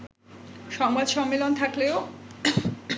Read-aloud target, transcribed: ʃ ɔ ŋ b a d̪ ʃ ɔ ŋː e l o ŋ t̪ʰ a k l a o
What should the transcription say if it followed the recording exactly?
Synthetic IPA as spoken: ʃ ɔ ŋ b a d̪ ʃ ɔ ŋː e l o n t̪ʰ a k l e o